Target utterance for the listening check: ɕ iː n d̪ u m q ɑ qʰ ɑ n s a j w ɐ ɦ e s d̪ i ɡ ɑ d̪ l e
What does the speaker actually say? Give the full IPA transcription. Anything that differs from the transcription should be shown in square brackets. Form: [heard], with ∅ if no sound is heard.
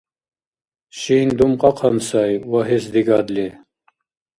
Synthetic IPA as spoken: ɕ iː n d̪ u m q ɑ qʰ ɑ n s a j w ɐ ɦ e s d̪ i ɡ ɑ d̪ l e

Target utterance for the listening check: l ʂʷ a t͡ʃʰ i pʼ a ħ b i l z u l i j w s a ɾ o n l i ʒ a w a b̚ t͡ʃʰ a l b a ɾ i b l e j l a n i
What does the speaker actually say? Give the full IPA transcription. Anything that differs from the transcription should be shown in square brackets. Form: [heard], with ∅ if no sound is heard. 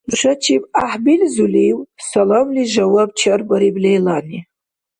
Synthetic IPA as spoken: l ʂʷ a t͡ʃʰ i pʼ a ħ b i l z u l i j w s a [l] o [m] l i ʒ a w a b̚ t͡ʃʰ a [r] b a ɾ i b l e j l a n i

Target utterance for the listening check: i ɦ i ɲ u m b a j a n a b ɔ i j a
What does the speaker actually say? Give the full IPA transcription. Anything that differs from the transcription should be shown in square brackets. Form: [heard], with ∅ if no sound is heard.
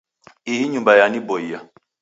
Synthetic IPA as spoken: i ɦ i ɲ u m b a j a n [i] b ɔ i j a

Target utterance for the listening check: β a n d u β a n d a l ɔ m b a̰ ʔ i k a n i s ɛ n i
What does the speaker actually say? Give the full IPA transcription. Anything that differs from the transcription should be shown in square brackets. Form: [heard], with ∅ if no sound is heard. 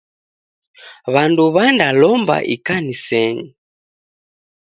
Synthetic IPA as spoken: β a n d u β a n d a l ɔ m b a̰ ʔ i k a n i s ɛ [ɲ] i

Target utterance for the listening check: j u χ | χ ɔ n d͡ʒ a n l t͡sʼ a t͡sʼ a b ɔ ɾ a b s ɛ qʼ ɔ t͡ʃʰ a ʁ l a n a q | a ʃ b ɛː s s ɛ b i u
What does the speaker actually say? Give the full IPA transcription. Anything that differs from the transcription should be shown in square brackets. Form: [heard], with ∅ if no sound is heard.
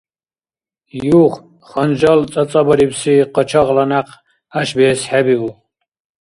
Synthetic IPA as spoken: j u χ | χ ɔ n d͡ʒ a [∅] l t͡sʼ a t͡sʼ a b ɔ ɾ [i] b s [i] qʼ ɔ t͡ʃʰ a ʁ l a n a q | a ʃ b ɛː s [ħ] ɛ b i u

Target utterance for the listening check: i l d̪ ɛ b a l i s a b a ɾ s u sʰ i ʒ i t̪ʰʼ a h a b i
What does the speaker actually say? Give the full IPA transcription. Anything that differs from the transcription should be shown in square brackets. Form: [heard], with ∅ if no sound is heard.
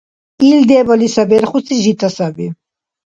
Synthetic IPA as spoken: i l d̪ ɛ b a l i s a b [ɛ] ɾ [χ] u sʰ i ʒ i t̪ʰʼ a [s] a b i

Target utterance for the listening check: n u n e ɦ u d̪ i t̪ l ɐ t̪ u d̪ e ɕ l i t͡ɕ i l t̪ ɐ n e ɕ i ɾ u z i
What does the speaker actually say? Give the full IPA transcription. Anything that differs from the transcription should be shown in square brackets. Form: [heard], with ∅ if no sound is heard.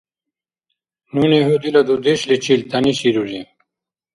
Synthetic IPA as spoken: n u n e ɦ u d̪ i [∅] l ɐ [d̪] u d̪ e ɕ l i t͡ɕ i l t̪ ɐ n [i] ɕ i ɾ u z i

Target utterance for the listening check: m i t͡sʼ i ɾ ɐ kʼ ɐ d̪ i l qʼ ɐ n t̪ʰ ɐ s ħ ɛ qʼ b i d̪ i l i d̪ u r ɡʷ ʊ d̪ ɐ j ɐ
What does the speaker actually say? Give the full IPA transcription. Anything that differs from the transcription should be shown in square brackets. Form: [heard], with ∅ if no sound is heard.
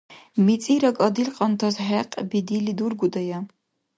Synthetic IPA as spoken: m i t͡sʼ i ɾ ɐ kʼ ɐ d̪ i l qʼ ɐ n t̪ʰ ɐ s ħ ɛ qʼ b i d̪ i l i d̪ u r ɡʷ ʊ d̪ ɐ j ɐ

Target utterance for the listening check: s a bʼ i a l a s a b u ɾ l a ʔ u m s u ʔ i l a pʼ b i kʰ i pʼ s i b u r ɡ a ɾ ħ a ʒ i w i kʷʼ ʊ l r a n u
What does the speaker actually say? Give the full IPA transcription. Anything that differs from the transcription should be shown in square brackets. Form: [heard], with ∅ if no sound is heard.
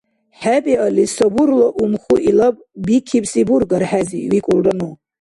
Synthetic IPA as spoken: [ħ] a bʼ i a l [i] s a b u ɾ l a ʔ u m [χ] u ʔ i l a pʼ b i kʰ i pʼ s i b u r ɡ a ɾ ħ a [z] i w i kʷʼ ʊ l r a n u

